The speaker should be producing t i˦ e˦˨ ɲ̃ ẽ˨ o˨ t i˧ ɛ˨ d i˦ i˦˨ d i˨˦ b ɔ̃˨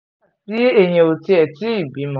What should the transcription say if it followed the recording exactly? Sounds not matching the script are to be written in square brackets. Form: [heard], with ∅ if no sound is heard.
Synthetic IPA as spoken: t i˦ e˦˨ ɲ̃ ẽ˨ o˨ t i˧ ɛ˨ [t] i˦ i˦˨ [b] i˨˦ [m] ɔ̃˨